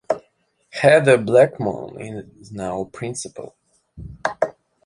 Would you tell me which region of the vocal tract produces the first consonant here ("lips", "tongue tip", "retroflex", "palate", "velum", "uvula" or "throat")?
throat